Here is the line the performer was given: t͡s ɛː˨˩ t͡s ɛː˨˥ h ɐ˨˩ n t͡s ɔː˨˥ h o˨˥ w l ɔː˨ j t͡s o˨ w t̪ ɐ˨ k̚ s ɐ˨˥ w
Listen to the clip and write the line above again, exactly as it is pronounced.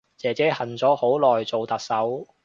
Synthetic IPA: t͡s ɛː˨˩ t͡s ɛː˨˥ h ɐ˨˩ n t͡s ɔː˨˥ h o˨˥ w l ɔː˨ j t͡s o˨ w t̪ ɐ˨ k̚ s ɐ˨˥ w

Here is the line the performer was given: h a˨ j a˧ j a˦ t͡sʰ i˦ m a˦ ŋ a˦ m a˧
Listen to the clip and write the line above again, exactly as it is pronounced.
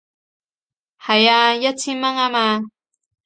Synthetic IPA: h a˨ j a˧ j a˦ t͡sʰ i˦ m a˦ ŋ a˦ m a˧

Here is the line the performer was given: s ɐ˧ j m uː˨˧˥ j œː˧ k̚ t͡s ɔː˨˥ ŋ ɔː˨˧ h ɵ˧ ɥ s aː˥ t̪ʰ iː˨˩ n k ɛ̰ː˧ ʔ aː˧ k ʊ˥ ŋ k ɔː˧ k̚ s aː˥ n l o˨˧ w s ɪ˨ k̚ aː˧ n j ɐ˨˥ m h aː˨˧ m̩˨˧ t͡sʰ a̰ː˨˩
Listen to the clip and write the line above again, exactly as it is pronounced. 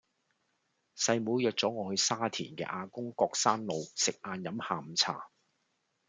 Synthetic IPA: s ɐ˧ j m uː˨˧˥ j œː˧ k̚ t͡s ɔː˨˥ ŋ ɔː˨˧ h ɵ˧ ɥ s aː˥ t̪ʰ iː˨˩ n k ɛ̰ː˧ ʔ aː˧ k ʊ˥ ŋ k ɔː˧ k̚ s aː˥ n l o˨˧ w s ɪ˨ k̚ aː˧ n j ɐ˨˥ m h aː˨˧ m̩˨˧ t͡sʰ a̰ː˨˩

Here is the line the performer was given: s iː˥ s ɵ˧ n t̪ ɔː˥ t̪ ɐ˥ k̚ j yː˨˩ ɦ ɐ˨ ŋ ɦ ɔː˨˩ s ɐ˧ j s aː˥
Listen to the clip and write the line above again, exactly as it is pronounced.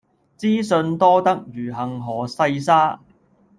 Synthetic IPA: t͡s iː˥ s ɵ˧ n t̪ ɔː˥ t̪ ɐ˥ k̚ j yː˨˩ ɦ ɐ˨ ŋ ɦ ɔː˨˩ s ɐ˧ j s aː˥

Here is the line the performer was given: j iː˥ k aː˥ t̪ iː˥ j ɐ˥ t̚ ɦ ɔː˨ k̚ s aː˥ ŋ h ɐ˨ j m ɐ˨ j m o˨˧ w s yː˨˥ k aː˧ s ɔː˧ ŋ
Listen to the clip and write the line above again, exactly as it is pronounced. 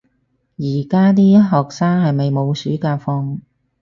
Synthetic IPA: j iː˨˩ k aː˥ t̪ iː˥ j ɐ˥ t̚ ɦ ɔː˨ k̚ s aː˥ ŋ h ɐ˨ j m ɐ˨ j m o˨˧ w s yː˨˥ k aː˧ f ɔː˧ ŋ

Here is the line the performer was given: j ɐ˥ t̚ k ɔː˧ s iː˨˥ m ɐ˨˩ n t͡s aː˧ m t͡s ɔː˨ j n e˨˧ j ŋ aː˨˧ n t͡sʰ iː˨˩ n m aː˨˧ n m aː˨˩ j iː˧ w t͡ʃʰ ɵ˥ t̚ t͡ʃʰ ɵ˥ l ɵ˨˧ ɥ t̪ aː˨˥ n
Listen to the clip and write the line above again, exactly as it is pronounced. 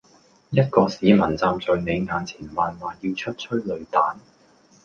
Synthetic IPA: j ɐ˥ t̚ k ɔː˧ s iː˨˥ m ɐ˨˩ n t͡s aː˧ m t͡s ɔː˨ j n e˨˧ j ŋ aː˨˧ n t͡sʰ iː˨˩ n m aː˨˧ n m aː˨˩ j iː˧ w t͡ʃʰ ɵ˥ t̚ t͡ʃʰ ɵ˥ l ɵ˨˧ ɥ t̪ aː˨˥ n

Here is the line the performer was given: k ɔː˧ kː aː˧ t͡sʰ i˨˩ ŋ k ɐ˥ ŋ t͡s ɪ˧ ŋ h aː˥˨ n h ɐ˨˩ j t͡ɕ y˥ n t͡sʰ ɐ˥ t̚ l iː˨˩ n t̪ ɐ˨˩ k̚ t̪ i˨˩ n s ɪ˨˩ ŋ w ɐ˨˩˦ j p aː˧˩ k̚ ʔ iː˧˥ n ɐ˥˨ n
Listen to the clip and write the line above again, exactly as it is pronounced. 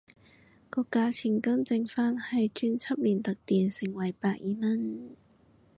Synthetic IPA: k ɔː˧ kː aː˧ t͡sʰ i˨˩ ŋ k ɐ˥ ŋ t͡s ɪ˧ ŋ f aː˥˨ n h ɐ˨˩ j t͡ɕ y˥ n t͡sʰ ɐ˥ p̚ l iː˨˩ n t̪ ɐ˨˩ k̚ t̪ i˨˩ n s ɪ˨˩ ŋ w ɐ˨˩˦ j p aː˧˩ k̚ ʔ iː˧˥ m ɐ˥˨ n

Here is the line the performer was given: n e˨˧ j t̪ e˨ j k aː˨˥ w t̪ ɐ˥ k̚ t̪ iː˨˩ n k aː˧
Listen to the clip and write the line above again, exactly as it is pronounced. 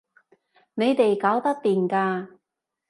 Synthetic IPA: n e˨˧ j t̪ e˨ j k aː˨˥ w t̪ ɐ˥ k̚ t̪ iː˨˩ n k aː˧

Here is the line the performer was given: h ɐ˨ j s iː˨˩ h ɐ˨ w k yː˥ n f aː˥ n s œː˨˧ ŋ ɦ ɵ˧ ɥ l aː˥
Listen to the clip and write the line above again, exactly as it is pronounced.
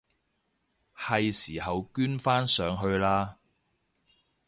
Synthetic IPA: h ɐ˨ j s iː˨˩ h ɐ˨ w k yː˥ n f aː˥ n s œː˨˧ ŋ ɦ ɵ˧ ɥ l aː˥

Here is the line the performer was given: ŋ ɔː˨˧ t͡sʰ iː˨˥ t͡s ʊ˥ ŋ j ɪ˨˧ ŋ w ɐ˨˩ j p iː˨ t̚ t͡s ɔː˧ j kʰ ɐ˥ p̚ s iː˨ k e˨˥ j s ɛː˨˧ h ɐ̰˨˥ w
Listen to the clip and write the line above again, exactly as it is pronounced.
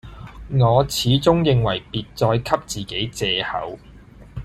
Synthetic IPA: ŋ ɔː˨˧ t͡sʰ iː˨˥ t͡s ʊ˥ ŋ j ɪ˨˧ ŋ w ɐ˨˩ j p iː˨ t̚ t͡s ɔː˧ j kʰ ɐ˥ p̚ t͡s iː˨ k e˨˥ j t͡s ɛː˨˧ h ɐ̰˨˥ w

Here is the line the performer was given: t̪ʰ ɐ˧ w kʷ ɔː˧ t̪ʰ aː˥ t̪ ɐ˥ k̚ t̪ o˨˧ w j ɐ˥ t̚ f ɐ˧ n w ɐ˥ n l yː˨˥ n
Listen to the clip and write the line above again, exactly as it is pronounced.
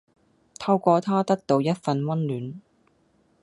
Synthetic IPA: t̪ʰ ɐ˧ w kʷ ɔː˧ t̪ʰ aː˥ t̪ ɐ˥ k̚ t̪ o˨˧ w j ɐ˥ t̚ f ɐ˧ n w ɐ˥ n l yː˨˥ n

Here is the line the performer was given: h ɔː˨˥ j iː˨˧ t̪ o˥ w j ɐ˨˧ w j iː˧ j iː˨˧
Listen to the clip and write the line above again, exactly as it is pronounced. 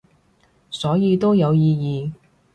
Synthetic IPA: s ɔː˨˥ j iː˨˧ t̪ o˥ w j ɐ˨˧ w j iː˧ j iː˨˧

